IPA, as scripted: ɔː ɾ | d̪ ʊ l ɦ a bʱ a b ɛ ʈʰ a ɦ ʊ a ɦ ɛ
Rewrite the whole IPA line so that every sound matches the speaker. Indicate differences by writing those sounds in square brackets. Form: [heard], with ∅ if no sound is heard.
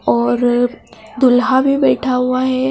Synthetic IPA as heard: ɔː ɾ | d̪ ʊ l ɦ a bʱ [i] b [ɛː] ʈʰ a ɦ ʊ a ɦ ɛ

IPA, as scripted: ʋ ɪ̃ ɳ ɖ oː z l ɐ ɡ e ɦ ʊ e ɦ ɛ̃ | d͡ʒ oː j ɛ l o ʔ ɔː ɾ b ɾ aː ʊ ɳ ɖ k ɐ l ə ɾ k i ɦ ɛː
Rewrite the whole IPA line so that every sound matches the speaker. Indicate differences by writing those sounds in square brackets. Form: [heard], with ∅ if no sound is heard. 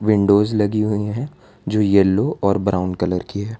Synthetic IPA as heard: ʋ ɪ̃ ɳ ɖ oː z l ɐ ɡ [i] ɦ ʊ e ɦ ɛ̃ | d͡ʒ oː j ɛ l o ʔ ɔː ɾ b ɾ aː ʊ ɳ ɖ k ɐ l ə ɾ k i ɦ ɛː

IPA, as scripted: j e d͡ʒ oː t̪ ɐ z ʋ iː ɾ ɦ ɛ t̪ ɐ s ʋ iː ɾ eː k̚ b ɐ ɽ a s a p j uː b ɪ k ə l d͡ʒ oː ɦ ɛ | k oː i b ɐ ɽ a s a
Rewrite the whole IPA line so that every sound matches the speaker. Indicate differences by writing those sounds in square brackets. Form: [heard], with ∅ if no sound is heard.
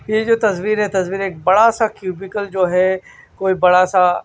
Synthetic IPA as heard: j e d͡ʒ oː t̪ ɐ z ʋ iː ɾ ɦ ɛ t̪ ɐ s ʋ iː ɾ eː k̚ b ɐ ɽ a s a [k] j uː b ɪ k ə l d͡ʒ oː ɦ ɛ | k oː i b ɐ ɽ a s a

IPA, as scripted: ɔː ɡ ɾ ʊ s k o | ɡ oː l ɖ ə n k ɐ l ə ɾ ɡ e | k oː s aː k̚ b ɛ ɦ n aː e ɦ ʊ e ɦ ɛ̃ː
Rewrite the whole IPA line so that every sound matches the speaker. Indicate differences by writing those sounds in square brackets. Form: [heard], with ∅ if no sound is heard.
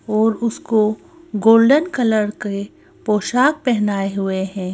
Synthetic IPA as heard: ɔː [∅] ɾ ʊ s k o | ɡ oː l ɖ ə n k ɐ l ə ɾ [k] e | [p] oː [ʃ] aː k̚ [p] ɛ ɦ n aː e ɦ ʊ e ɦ ɛ̃ː

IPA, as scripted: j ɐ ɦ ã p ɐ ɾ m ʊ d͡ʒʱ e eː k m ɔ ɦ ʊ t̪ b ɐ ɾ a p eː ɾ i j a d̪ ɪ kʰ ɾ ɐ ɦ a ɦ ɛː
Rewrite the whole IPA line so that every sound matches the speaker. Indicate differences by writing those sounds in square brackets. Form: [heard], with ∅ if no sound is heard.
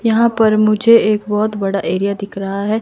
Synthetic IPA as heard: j ɐ ɦ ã p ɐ ɾ m ʊ d͡ʒʱ e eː k [b] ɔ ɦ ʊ t̪ b ɐ [ɽ] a [ʔ] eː ɾ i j a d̪ ɪ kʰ ɾ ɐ ɦ a ɦ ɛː

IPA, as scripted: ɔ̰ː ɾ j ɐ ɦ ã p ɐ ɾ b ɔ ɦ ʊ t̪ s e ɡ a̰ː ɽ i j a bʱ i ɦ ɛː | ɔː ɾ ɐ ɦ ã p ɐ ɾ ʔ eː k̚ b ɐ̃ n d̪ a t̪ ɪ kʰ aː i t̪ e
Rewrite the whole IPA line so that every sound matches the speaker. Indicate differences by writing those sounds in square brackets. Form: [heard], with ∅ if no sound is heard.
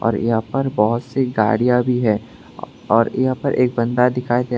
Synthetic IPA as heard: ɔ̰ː ɾ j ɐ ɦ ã p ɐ ɾ b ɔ ɦ ʊ t̪ s e ɡ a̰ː ɽ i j a bʱ i ɦ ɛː | ɔː ɾ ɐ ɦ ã p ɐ ɾ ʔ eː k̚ b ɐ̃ n d̪ a [d̪] ɪ kʰ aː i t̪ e

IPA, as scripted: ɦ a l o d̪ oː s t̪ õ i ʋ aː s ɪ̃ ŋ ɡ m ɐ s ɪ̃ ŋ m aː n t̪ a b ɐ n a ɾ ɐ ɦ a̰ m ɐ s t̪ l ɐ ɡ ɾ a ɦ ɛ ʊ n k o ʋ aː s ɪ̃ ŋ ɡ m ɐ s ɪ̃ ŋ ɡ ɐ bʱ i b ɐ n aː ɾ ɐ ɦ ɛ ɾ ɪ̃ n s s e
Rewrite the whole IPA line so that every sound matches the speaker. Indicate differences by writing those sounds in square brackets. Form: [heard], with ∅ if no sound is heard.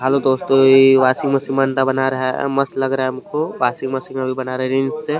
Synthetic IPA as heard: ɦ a l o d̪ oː s t̪ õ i ʋ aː s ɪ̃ ŋ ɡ m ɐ s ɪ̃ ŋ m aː n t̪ a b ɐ n a ɾ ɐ ɦ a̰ m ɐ s t̪ l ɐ ɡ ɾ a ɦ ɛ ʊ [m] k o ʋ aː s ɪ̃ ŋ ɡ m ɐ s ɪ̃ ŋ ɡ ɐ bʱ i b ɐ n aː ɾ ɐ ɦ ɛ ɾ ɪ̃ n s s e

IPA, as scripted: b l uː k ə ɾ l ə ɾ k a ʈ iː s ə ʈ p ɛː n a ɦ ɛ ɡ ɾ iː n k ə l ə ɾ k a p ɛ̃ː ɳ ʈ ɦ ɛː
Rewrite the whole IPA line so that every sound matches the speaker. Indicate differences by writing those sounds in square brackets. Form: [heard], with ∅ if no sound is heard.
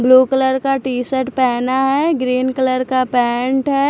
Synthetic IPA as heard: b l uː k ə [∅] l ə ɾ k a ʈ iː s ə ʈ p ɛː n a ɦ ɛ ɡ ɾ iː n k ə l ə ɾ k a p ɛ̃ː ɳ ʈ ɦ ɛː

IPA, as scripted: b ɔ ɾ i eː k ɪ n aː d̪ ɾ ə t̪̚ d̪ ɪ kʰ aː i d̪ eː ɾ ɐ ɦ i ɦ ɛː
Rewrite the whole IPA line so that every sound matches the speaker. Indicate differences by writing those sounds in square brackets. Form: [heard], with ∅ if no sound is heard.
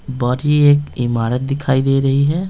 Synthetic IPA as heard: b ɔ ɾ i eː k ɪ [m] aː [∅] ɾ ə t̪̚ d̪ ɪ kʰ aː i d̪ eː ɾ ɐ ɦ i ɦ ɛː

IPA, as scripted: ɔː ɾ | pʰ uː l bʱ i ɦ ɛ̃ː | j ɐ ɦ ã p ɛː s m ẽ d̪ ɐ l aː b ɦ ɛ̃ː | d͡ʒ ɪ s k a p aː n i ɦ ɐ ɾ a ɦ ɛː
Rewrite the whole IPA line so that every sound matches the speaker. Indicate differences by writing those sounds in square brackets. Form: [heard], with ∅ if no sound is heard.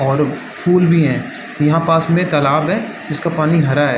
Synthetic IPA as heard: ɔː ɾ | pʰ uː l bʱ i ɦ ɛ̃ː | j ɐ ɦ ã p [aː] s m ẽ [t̪] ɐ l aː b ɦ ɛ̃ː | d͡ʒ ɪ s k a p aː n i ɦ ɐ ɾ a ɦ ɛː

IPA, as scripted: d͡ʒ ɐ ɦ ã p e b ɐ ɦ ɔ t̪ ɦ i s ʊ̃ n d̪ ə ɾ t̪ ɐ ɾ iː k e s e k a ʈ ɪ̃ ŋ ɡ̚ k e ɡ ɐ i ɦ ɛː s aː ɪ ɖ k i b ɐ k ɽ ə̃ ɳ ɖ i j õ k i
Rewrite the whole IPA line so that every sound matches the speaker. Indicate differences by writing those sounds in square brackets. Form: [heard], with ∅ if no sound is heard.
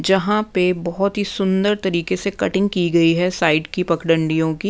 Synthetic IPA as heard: d͡ʒ ɐ ɦ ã p e b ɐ ɦ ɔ t̪ ɦ i s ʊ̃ n d̪ ə ɾ t̪ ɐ ɾ iː k e s e k [ɐ] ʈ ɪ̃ ŋ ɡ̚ k [i] ɡ ɐ i ɦ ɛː s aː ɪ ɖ k i [p] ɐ k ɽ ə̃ ɳ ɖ i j õ k i

